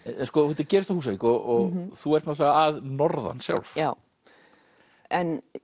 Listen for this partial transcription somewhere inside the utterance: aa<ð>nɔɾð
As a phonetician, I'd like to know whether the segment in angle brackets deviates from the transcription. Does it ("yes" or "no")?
no